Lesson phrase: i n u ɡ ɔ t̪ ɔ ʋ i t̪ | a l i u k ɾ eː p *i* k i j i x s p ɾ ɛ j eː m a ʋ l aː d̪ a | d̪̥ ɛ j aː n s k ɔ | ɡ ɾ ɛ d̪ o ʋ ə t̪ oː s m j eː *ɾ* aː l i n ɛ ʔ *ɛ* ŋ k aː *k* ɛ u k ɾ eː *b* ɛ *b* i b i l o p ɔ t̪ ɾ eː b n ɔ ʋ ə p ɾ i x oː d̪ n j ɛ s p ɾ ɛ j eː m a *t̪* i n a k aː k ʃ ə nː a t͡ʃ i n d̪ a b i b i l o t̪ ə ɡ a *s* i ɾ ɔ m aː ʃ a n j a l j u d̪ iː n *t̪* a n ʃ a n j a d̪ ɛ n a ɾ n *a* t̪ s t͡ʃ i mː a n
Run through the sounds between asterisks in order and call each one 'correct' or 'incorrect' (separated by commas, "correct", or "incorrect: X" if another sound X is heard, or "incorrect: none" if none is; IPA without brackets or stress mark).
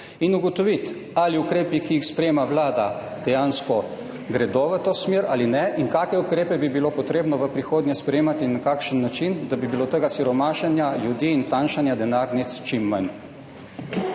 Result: correct, correct, incorrect: i, correct, incorrect: p, correct, correct, correct, correct, incorrect: i